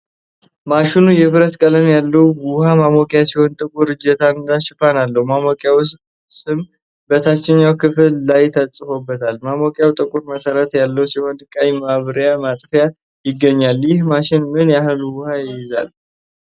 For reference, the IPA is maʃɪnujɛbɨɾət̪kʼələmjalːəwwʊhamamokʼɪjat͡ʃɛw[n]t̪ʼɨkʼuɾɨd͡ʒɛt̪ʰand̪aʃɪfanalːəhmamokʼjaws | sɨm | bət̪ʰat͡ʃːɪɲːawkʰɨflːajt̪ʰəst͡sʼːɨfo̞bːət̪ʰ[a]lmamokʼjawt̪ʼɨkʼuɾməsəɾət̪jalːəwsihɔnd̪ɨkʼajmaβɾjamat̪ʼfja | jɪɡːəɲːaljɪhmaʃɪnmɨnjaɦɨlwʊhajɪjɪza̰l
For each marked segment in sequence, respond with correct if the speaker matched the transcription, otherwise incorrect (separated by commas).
correct, correct